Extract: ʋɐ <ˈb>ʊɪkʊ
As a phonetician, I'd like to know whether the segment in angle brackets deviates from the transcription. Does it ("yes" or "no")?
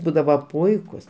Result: yes